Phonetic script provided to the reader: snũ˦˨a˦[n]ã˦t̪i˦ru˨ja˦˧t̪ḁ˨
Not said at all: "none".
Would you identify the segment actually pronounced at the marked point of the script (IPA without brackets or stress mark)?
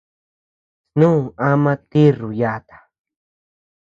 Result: m